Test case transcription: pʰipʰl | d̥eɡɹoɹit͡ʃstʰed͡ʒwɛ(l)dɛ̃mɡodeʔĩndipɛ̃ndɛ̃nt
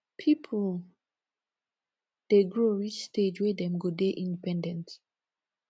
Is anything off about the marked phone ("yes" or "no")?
yes